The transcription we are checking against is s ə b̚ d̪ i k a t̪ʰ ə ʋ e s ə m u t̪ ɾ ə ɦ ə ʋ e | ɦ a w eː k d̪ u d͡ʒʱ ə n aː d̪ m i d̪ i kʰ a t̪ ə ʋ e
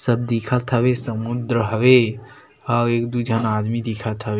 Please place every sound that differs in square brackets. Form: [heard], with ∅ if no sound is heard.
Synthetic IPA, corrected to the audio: s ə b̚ d̪ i [kʰ] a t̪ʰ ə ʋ e s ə m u [d̪] ɾ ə ɦ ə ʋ e | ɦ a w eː k d̪ u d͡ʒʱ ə n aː d̪ m i d̪ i kʰ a [t̪ʰ] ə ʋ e